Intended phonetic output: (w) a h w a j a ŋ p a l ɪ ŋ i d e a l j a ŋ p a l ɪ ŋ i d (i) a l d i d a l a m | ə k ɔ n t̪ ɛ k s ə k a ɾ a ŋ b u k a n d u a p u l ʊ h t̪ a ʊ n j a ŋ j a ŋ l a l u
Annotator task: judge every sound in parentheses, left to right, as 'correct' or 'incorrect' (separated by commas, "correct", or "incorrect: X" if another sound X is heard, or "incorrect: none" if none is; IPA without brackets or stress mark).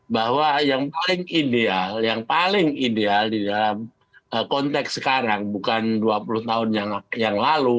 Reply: incorrect: b, incorrect: e